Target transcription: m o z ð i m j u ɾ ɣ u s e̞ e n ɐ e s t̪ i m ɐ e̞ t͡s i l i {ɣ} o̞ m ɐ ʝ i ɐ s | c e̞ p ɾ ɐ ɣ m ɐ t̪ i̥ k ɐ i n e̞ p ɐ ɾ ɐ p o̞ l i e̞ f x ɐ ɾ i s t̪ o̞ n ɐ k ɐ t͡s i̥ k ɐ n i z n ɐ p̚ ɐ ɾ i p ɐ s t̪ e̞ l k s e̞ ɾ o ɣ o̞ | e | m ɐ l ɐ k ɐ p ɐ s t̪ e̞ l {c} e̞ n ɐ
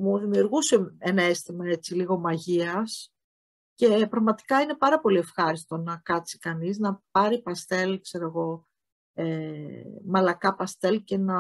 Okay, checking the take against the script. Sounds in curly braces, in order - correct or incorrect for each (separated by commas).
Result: correct, correct